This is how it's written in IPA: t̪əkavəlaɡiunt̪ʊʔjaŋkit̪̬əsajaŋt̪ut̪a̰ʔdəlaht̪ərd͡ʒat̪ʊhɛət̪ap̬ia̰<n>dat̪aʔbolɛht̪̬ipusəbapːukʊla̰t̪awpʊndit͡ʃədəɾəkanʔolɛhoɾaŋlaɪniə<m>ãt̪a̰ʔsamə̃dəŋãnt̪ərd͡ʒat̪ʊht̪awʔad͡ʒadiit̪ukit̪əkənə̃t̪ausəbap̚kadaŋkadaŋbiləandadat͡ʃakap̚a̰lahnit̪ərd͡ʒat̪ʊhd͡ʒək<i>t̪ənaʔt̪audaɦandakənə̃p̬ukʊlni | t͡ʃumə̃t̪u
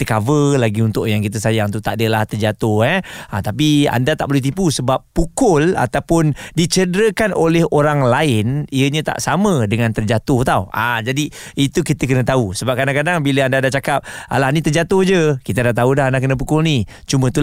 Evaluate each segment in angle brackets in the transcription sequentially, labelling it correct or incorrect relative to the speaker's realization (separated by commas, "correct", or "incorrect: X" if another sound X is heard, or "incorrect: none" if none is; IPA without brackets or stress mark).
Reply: correct, incorrect: ɲ, correct